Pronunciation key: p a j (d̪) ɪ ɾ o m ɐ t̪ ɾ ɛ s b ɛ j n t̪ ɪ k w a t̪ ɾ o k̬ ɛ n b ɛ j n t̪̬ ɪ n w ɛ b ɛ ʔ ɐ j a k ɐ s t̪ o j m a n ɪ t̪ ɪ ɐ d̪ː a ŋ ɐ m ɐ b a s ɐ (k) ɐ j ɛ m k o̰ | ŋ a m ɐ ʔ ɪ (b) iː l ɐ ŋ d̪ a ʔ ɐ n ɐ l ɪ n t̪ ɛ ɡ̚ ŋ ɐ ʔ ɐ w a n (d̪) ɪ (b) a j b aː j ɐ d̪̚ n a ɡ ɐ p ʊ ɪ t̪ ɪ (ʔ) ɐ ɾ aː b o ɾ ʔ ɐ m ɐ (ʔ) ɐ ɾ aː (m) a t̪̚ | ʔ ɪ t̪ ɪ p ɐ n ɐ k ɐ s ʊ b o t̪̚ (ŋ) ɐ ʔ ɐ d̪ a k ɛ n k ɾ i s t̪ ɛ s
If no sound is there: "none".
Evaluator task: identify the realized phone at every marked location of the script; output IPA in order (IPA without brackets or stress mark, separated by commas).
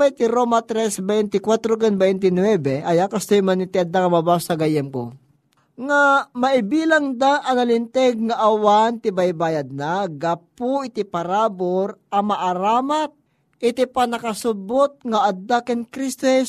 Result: t̪, ɡ, b, t̪, b, p, ʔ, m, ŋ